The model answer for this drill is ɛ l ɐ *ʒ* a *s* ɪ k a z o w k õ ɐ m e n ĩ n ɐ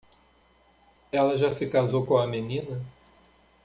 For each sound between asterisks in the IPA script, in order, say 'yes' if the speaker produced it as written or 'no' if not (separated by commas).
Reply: yes, yes